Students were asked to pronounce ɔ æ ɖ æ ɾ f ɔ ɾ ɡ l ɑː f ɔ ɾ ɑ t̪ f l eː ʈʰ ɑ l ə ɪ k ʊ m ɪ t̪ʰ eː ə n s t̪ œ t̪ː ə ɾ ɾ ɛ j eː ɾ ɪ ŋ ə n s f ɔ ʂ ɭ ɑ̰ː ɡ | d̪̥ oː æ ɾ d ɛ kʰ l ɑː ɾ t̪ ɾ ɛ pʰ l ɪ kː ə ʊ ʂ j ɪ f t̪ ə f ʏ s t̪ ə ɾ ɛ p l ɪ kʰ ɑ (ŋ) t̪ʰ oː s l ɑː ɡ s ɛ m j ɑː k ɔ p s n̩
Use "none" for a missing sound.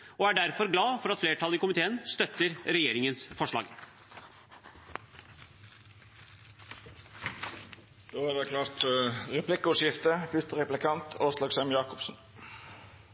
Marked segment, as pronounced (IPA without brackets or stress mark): n